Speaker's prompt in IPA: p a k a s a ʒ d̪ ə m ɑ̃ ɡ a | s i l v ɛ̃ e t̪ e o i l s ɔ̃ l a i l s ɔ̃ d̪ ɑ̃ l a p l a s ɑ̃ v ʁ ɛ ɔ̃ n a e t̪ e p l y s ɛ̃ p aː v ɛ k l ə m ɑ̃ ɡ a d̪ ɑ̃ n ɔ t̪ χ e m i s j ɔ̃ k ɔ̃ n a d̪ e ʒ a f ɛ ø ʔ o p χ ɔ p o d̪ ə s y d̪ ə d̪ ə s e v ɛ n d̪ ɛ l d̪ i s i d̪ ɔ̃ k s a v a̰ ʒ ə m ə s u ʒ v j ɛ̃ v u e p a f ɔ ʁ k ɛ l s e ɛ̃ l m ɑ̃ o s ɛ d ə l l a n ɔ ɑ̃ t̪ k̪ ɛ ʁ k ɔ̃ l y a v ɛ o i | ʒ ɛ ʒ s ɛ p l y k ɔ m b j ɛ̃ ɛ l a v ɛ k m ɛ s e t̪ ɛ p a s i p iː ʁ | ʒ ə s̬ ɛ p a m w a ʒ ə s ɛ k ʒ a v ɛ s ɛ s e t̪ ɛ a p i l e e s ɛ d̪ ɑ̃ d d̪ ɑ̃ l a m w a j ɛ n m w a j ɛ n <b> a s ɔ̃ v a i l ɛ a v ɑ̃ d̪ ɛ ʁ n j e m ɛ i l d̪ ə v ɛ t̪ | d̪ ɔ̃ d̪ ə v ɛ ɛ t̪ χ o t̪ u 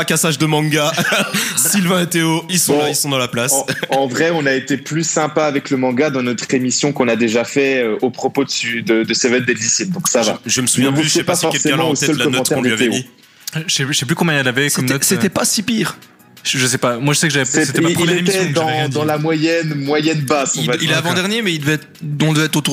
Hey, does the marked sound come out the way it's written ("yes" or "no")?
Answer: yes